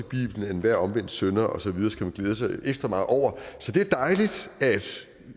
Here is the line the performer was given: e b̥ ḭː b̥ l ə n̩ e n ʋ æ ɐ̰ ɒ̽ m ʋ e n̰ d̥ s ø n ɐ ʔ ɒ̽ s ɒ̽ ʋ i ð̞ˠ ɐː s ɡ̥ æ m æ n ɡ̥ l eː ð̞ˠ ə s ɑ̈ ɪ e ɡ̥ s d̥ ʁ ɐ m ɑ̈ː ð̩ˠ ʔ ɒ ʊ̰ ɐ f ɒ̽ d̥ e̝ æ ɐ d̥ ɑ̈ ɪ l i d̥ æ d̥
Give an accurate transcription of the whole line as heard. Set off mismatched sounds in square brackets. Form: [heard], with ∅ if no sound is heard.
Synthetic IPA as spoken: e b̥ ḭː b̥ l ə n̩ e n ʋ æ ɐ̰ ɒ̽ m ʋ e n̰ d̥ s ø n ɐ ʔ ɒ̽ s ɒ̽ ʋ i ð̞ˠ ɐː s ɡ̥ æ m æ n ɡ̥ l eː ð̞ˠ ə s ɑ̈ ɪ e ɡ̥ s d̥ ʁ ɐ m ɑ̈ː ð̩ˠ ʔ ɒ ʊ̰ ɐ [s] ɒ̽ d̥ e̝ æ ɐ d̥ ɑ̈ ɪ l i d̥ æ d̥